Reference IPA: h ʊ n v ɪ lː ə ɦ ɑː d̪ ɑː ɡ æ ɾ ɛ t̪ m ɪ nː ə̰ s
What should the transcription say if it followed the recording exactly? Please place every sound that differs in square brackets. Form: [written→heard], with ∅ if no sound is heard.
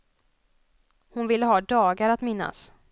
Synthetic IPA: h ʊ n v ɪ lː ə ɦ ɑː d̪ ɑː ɡ [æ→a] ɾ [ɛ→a] t̪ m ɪ nː [ə̰→a̰] s